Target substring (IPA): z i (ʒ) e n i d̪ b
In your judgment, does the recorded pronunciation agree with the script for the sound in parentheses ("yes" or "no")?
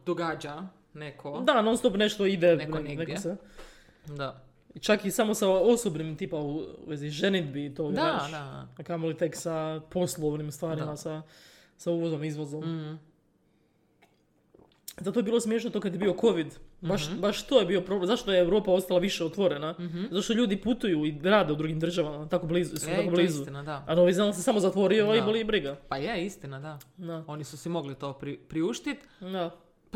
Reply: yes